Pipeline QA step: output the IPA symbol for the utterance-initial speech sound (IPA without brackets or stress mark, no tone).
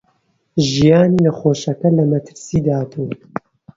ʒ